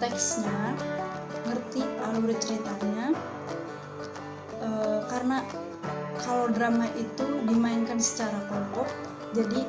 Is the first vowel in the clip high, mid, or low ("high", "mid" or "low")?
mid